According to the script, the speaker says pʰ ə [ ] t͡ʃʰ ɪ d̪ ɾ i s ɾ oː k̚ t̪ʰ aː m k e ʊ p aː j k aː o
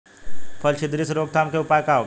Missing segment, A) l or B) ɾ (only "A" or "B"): A